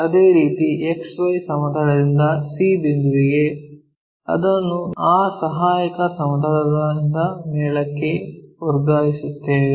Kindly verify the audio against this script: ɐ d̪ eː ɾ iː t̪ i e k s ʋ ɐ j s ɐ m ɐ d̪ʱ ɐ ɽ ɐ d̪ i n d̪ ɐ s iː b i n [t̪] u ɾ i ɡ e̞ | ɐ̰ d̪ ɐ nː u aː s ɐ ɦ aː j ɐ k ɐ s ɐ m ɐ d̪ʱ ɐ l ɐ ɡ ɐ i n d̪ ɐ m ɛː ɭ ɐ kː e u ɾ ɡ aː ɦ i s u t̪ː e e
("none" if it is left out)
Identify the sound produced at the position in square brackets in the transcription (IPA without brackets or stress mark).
d̪